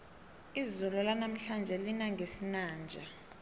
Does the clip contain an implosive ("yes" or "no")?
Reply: no